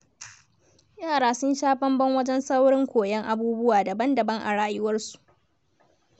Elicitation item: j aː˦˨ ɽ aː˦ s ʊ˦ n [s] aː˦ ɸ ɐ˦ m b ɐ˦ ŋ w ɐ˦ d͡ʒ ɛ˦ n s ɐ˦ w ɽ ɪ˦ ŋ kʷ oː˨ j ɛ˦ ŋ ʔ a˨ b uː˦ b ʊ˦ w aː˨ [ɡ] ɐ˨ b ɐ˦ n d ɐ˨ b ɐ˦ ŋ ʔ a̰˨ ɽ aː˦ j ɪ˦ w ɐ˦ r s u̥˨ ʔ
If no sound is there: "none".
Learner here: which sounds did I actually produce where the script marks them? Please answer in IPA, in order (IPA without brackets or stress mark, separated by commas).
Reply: ʃ, d